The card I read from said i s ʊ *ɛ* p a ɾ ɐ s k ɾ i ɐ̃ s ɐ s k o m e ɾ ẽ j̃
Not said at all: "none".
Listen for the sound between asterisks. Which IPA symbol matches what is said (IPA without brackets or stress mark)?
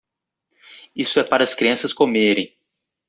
ɛ